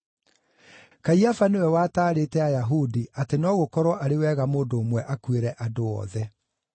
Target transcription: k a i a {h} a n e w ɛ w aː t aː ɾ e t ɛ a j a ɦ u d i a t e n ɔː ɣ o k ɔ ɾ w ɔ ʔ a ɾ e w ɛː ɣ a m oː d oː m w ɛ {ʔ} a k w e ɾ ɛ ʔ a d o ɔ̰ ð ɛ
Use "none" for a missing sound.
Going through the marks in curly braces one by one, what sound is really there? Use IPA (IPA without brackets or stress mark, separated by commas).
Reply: f, ʔ